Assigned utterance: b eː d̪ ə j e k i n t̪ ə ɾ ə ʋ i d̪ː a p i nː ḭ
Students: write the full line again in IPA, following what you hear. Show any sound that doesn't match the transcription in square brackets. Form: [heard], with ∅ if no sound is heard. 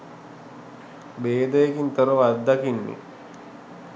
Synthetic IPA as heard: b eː d̪ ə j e k i n t̪ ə ɾ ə ʋ [a] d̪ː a [k] i nː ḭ